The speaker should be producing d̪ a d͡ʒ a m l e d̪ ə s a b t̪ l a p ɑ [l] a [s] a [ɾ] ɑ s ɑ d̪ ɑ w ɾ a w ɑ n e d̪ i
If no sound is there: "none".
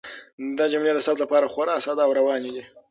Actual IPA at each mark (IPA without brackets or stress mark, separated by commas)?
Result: ɾ, x, ɾ